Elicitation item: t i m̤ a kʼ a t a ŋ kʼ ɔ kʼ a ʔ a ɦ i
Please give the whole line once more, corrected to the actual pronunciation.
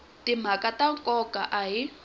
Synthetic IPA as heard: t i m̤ a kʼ a t a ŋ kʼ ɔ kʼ a ʔ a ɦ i